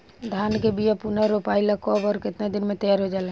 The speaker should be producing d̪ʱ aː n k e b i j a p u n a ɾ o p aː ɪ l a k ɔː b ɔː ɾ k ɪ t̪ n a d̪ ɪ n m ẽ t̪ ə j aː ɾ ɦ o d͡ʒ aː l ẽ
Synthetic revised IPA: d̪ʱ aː n k e b i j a p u n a ɾ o p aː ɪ l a k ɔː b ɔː ɾ k ɪ t̪ n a d̪ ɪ n m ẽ t̪ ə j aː ɾ ɦ o d͡ʒ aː l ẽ